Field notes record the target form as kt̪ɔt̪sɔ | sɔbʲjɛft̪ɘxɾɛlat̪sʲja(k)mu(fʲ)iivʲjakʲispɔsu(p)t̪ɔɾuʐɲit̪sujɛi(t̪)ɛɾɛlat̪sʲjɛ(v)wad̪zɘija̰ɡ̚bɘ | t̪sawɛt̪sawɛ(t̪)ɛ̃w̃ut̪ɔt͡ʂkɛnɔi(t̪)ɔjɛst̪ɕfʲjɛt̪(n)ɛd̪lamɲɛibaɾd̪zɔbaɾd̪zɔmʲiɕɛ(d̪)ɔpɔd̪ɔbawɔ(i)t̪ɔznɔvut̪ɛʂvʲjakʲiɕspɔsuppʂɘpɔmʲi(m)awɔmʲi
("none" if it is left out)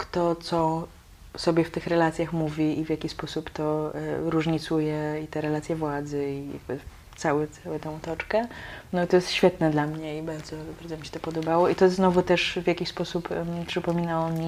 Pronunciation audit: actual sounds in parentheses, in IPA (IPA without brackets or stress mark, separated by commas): x, vʲ, p, t̪, v, t̪, t̪, n, t̪, i, n